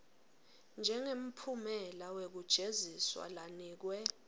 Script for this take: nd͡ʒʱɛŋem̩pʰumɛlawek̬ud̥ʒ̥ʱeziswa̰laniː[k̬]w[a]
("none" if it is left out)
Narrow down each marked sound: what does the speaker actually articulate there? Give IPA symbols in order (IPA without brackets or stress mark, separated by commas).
k̬, ɛ